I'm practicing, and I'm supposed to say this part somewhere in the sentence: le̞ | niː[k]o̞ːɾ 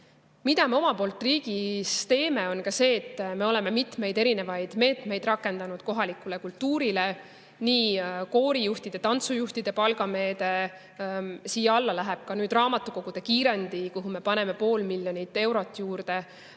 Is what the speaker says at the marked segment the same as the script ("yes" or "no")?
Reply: yes